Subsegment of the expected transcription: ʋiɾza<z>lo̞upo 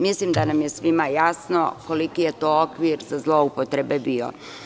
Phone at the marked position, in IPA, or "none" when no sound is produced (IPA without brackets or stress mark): z